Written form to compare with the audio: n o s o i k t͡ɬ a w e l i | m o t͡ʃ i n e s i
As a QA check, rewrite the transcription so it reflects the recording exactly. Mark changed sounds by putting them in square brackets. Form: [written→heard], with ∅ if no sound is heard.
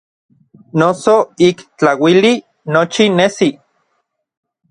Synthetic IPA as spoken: n o s o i k t͡ɬ a w [e→i] l i | [m→n] o t͡ʃ i n e s i